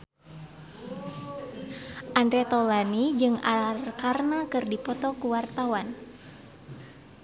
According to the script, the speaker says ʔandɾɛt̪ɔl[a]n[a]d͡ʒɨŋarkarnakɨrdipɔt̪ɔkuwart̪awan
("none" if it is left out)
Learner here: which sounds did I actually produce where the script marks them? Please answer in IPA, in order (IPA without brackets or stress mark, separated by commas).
a, i